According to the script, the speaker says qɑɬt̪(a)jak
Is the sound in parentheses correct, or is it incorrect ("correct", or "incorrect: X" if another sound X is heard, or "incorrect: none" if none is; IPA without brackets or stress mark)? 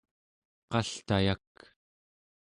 correct